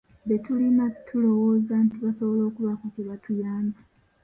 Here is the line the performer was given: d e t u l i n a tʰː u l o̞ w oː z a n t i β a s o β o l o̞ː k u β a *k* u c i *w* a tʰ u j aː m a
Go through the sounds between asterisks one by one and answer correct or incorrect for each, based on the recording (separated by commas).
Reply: correct, incorrect